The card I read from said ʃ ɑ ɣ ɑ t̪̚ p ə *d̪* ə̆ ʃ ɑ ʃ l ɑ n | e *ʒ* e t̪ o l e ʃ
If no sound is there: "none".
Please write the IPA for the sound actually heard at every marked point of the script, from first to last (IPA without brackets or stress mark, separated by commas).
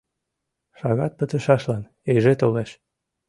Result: t̪, ʒ